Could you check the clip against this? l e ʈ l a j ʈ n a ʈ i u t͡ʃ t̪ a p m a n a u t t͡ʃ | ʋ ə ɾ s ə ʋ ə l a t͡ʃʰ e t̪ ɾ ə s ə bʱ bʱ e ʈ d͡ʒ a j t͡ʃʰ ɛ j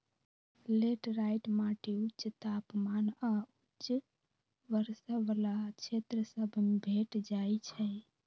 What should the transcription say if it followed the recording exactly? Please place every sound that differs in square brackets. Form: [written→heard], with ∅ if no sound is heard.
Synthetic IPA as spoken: l e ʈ [l→ɾ] a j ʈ [n→m] a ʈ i u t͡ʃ t̪ a p m a n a u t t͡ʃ | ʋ ə ɾ s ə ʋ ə l a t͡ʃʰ e t̪ ɾ ə s ə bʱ bʱ e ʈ d͡ʒ a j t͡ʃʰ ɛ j